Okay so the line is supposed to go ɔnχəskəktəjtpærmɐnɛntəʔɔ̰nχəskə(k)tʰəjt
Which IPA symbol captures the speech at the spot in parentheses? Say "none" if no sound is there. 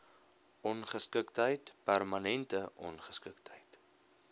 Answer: k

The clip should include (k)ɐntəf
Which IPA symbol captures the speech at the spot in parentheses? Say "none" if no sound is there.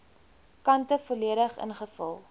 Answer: k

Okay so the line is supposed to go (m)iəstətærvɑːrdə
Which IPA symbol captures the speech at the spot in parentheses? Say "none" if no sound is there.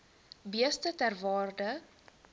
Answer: b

